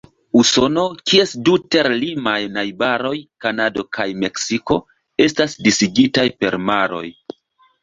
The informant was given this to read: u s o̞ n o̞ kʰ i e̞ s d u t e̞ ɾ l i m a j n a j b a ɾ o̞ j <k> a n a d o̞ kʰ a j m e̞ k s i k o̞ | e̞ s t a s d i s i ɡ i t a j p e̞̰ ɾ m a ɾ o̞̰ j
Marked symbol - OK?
yes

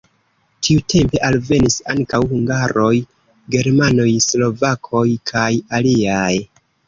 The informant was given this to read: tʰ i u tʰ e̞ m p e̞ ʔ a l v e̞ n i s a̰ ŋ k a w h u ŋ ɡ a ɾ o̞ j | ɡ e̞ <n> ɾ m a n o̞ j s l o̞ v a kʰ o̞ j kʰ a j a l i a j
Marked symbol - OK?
no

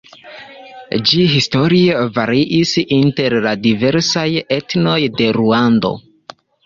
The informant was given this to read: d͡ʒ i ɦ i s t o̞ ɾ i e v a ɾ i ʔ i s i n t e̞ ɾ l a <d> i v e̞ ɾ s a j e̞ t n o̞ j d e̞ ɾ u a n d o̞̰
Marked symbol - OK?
yes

